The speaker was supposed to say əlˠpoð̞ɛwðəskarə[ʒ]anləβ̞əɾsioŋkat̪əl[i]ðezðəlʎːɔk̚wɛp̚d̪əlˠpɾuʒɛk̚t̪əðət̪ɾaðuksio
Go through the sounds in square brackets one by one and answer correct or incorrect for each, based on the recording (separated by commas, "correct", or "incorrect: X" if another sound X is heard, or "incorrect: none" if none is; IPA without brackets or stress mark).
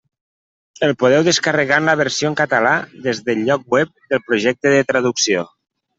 incorrect: ɣ, incorrect: a